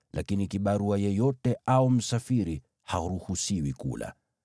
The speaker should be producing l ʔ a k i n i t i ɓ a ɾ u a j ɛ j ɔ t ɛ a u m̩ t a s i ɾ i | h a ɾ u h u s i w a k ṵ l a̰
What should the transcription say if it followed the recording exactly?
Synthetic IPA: l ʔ a k i n i k i ɓ a ɾ u a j ɛ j ɔ t ɛ a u m̩ s a f i ɾ i | h a ɾ u h u s i w i k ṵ l a̰

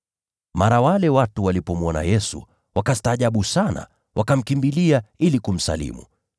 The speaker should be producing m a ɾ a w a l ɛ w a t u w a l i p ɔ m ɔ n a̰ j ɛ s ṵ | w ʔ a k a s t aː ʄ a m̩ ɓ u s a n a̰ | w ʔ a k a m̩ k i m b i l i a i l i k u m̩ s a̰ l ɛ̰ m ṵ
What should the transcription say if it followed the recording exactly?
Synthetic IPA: m a ɾ a w a l ɛ w a t u w a l i p ɔ m ɔ n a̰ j ɛ s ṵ | w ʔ a k a s t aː ʄ a ɓ u s a n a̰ | w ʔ a k a m̩ k i m b i l i a i l i k u m̩ s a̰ l ḭ m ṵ

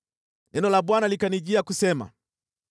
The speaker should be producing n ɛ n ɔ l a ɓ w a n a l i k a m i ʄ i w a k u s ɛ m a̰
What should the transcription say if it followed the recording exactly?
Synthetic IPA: n ɛ n ɔ l a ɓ w a n a l i k a n i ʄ i a k u s ɛ m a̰

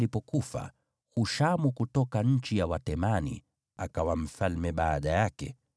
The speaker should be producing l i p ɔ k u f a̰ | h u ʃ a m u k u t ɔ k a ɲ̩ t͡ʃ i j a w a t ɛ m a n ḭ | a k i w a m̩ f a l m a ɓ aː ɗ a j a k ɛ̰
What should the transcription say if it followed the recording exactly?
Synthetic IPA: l i p ɔ k u f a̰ | h u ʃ a m u k u t ɔ k a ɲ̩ t͡ʃ i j a w a t ɛ m a n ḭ | a k a w a m̩ f a l m ɛ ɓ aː ɗ a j a k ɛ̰

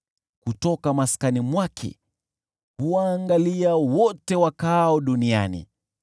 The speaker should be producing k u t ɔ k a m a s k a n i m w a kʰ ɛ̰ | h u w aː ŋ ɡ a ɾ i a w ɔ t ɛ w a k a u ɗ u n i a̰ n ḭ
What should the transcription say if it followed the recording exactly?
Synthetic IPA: k u t ɔ k a m a s k a n i m w a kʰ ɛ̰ | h u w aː ŋ ɡ a l i a w ɔ t ɛ w a k a ɔ ɗ u n i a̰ n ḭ

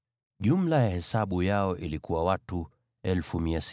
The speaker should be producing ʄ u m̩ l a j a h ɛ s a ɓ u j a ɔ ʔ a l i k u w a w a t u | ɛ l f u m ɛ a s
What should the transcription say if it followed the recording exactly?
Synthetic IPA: ʄ u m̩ l a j a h ɛ s a ɓ u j a ɔ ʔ i l i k u w a w a t u | ɛ l f u m i a s

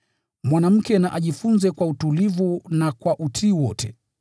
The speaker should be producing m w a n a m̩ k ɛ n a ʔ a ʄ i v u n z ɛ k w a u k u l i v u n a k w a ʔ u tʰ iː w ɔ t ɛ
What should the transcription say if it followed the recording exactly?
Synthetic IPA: m w a n a m̩ k ɛ n a ʔ a ʄ i f u n z ɛ k w a u t u l i v u n a k w a ʔ u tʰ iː w ɔ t ɛ

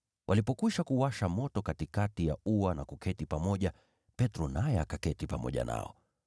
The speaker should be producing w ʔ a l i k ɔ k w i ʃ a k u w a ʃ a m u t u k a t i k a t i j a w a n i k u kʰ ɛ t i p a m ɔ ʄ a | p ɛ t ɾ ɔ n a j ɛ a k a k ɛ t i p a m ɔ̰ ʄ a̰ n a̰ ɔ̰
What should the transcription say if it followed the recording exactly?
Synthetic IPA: w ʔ a l i p ɔ k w i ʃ a k u w a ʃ a m ɔ t ɔ k a t i k a t i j a u a n a k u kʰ ɛ t i p a m ɔ ʄ a | p ɛ t ɾ ɔ n a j ɛ a k a k ɛ t i p a m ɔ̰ ʄ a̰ n a̰ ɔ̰

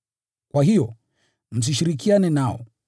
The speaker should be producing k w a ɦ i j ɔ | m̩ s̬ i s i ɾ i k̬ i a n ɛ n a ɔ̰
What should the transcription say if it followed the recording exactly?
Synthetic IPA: k w a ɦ i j ɔ | m̩ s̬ i ʃ i ɾ i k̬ i a n ɛ n a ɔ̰

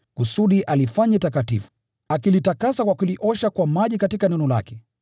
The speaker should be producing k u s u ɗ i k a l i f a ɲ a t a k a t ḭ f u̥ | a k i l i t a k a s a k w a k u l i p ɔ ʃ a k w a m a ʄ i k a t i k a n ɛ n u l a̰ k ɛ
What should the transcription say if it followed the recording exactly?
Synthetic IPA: k u s u ɗ i ʔ a l i f a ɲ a t a k a t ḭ f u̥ | a k i l i t a k a s a k w a k u l i ʔ ɔ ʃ a k w a m a ʄ i k a t i k a n ɛ n ɔ l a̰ k ɛ

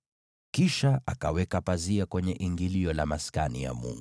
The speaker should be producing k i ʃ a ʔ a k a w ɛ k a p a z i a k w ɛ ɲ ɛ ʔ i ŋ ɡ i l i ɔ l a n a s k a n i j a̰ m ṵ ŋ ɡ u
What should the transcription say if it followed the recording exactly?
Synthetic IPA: k i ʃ a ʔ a k a w ɛ k a p a z i a k w ɛ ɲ ɛ ʔ i ŋ ɡ i l i ɔ l a m a s k a n i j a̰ m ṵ ŋ ɡ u

